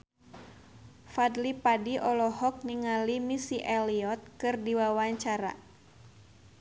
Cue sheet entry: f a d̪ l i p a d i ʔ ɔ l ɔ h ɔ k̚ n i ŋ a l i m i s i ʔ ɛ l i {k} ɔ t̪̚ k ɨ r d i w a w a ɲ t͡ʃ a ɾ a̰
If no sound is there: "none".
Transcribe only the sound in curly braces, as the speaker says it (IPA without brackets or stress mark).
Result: none